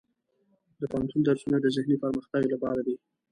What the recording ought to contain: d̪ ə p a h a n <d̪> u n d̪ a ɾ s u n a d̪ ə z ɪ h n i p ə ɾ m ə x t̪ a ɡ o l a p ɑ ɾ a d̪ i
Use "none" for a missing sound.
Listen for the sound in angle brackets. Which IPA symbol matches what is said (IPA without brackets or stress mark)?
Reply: t̪